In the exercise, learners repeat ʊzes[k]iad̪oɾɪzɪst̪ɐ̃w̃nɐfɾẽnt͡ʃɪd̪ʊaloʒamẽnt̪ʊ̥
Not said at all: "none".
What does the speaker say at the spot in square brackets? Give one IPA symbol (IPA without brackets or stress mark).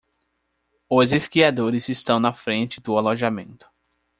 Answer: k